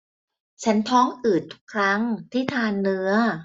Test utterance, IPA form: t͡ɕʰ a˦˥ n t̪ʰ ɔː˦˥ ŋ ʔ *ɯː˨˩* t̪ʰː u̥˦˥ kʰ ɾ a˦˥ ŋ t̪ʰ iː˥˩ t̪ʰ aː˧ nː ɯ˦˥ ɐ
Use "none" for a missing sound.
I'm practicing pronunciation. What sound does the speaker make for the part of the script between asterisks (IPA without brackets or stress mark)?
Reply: ɯː˨˩